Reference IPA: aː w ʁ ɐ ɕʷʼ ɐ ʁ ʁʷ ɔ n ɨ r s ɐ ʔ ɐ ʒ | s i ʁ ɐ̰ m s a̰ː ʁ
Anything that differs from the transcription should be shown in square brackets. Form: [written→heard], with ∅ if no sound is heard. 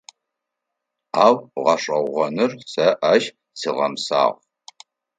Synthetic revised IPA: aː w ʁ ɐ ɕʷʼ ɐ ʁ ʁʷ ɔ n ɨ r s ɐ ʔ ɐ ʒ | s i ʁ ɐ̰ m s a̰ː ʁ